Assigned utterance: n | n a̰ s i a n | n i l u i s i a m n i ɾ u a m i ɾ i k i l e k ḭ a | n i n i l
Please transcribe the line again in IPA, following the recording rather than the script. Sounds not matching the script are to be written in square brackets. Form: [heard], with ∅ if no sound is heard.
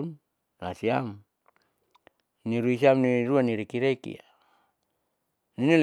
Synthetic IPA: n | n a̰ s i a [m] | n i [ɾ] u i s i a m n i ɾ u a [n] i ɾ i k i [ɾ] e k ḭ a | n i n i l